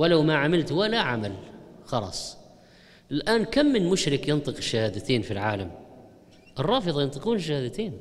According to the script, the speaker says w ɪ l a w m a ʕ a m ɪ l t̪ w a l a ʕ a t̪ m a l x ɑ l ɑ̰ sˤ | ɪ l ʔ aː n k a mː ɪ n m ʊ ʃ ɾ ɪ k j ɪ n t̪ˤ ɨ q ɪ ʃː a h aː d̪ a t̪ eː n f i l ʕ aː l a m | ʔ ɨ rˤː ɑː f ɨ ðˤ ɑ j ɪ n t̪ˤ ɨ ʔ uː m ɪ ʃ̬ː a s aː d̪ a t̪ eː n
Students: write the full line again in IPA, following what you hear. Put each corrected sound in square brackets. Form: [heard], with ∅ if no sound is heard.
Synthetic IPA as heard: w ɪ l a w m a ʕ a m ɪ l t̪ w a l a ʕ a [∅] m a l x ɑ l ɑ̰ sˤ | ɪ l ʔ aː n k a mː ɪ n m ʊ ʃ ɾ ɪ k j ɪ n t̪ˤ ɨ q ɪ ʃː a h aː d̪ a t̪ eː n f i l ʕ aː l a m | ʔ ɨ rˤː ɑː f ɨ ðˤ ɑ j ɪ n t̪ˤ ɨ [q] uː [n] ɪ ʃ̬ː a [h] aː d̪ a t̪ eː n